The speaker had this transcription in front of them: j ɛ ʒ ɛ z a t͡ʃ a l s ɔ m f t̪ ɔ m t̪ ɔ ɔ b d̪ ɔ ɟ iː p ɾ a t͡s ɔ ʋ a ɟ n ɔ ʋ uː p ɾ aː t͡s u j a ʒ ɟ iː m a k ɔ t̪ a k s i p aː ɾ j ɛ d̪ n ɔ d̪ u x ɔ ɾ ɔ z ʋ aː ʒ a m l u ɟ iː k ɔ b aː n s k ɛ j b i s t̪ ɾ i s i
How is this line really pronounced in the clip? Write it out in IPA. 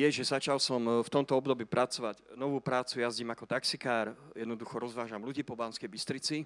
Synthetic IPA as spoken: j ɛ ʒ ɛ z a t͡ʃ a l s ɔ m f t̪ ɔ m t̪ ɔ ɔ b d̪ ɔ b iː p ɾ a t͡s ɔ ʋ a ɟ n ɔ ʋ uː p ɾ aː t͡s u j a z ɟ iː m a k ɔ t̪ a k s i k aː ɾ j ɛ d̪ n ɔ d̪ u x ɔ ɾ ɔ z ʋ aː ʒ a m l u ɟ iː p ɔ b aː n s k ɛ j b i s t̪ ɾ i t͡s i